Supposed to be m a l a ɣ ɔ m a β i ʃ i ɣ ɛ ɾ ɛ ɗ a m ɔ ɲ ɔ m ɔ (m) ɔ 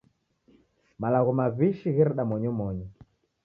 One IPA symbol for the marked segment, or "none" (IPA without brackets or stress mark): ɲ